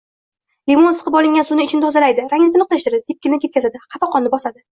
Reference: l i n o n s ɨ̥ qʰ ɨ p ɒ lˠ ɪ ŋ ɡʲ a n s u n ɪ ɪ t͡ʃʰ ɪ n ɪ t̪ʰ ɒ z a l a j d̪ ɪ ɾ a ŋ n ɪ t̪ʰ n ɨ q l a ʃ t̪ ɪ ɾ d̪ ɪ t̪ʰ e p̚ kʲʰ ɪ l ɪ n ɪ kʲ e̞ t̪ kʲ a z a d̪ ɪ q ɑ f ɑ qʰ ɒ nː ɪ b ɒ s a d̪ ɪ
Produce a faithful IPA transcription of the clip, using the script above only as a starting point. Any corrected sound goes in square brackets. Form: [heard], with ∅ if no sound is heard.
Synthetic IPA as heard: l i [m] o n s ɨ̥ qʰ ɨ p ɒ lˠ ɪ ŋ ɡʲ a n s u n ɪ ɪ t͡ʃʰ ɪ n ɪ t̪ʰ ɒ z a l a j d̪ ɪ ɾ a ŋ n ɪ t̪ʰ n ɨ q l a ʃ t̪ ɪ ɾ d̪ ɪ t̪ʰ e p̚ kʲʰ ɪ l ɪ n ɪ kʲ e̞ t̪ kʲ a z a d̪ ɪ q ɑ f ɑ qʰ ɒ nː ɪ b ɒ s a d̪ ɪ